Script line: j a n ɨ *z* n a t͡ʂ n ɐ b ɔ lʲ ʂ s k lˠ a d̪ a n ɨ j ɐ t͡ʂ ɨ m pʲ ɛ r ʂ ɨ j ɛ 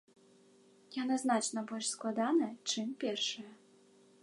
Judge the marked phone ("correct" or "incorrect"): correct